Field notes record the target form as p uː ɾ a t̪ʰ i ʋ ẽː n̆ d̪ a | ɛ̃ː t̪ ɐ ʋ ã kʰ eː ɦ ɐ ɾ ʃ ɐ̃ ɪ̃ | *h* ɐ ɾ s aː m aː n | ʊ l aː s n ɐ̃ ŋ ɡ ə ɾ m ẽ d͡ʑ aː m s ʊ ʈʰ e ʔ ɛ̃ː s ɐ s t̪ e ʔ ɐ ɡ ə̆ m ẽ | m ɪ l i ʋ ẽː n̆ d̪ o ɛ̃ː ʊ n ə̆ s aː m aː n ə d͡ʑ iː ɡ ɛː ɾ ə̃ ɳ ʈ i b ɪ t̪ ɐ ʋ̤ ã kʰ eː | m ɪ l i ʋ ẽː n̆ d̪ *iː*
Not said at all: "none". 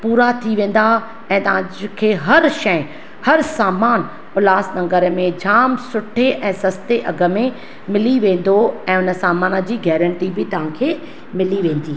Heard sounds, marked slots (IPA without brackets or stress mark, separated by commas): h, iː